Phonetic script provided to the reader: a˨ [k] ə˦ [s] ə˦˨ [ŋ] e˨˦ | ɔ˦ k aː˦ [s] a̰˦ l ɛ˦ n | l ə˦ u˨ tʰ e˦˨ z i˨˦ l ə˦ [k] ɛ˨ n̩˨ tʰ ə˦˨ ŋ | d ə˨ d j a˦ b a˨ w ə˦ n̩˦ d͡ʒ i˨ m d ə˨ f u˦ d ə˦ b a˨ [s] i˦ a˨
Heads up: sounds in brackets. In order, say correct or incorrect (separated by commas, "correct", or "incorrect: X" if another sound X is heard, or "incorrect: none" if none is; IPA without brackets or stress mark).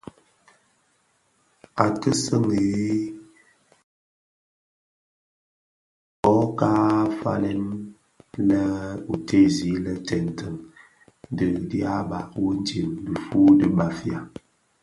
incorrect: t, correct, correct, incorrect: f, incorrect: t, incorrect: f